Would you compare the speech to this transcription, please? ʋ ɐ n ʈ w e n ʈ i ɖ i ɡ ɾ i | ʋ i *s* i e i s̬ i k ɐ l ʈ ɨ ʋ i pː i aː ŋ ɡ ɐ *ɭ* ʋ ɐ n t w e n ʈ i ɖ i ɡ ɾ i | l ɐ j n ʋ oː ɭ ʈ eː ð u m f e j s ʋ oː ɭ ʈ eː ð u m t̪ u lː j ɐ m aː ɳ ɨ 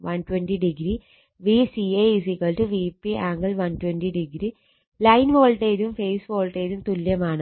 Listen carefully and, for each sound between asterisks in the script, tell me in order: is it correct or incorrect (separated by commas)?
correct, incorrect